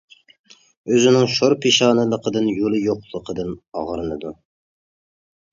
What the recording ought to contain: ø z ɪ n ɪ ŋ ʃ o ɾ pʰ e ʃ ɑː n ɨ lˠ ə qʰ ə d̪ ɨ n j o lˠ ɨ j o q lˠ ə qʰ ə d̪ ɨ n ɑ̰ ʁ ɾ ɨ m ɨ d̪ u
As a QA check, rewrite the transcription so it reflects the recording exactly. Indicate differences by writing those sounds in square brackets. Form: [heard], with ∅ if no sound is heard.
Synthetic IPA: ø z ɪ n ɪ ŋ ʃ o ɾ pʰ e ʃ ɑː n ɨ lˠ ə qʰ ə d̪ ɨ n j o lˠ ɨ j o q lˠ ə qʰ ə d̪ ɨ n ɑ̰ ʁ ɾ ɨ [n] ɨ d̪ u